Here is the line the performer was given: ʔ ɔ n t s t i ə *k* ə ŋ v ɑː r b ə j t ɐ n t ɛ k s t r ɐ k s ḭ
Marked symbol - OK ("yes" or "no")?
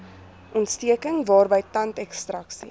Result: yes